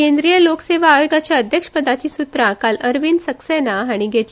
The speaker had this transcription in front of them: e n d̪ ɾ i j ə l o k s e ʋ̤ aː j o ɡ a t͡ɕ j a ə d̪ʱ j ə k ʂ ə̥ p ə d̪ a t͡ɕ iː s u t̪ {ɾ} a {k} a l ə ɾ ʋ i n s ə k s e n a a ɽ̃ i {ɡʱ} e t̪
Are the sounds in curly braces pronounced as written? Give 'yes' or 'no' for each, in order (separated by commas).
yes, yes, yes